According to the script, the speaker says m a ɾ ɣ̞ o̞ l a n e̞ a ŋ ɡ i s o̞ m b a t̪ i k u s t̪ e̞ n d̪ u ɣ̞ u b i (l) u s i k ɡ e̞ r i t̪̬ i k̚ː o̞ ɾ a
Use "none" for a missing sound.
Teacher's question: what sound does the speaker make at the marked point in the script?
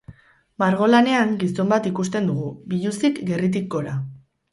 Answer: ʎ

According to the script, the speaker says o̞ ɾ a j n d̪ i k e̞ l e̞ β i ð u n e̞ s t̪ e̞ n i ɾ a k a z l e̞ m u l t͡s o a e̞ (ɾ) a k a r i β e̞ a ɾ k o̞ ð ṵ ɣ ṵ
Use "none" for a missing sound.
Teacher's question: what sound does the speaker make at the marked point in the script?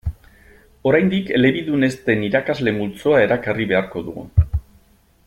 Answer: ɾ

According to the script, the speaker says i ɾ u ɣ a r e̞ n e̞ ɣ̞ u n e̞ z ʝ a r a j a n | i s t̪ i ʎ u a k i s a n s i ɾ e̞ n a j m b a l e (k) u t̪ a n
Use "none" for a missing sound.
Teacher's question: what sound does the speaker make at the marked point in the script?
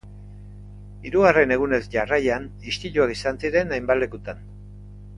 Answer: k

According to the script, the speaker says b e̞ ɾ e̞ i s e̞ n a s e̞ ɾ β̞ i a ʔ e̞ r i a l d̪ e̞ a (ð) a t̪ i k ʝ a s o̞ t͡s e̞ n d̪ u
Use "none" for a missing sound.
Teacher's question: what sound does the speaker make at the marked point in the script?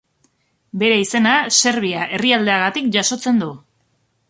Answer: ɣ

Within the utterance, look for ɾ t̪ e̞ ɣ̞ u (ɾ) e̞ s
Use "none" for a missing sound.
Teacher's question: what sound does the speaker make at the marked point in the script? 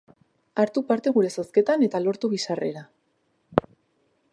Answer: ɾ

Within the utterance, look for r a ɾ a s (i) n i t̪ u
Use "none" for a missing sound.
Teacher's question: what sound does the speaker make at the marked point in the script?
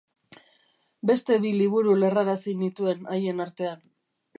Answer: i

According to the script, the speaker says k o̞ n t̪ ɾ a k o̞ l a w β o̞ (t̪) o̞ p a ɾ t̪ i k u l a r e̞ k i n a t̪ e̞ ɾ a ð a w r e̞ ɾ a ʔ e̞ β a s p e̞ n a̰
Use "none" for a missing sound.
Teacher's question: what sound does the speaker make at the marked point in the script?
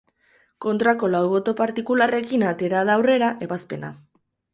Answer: t̪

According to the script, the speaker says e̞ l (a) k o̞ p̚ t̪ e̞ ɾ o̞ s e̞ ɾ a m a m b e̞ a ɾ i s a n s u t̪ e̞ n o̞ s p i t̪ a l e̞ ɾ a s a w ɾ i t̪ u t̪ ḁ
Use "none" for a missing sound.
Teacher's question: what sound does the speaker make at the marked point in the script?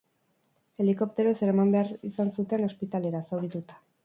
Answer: i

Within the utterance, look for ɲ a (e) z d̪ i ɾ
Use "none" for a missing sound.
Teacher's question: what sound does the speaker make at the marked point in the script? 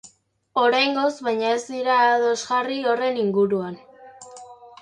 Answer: e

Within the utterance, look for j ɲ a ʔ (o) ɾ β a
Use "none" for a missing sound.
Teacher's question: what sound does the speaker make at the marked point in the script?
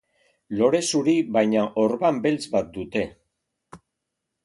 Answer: o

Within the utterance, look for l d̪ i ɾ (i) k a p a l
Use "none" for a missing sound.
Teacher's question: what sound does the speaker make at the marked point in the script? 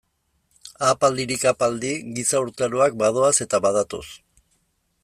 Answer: i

